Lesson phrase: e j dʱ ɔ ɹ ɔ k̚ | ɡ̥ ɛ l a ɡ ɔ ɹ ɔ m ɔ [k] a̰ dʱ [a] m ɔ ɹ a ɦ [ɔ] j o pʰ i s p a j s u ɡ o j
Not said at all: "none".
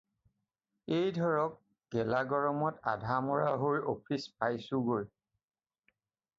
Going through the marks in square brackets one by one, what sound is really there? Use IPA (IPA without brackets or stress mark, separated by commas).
t, a, o